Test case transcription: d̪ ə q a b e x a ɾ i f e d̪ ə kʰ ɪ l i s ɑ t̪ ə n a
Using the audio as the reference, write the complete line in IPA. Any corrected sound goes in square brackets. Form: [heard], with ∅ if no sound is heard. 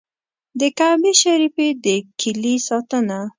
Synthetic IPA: d̪ ə [k] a b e [ʃ] a ɾ i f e d̪ ə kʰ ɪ l i s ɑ t̪ ə n a